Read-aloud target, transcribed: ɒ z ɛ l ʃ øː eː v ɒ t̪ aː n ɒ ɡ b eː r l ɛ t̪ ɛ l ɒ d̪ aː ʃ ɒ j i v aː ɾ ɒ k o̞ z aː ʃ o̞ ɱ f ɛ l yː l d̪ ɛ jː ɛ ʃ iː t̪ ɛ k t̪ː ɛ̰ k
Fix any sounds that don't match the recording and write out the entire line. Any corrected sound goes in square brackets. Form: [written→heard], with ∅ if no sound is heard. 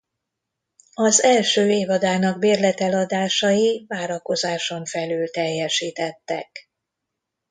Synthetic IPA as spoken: ɒ z ɛ l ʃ øː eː v ɒ [t̪→d̪] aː n ɒ ɡ b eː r l ɛ t̪ ɛ l ɒ d̪ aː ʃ ɒ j i v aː ɾ ɒ k o̞ z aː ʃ o̞ ɱ f ɛ l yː l [d̪→t̪] ɛ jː ɛ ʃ iː t̪ ɛ [k→∅] t̪ː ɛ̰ k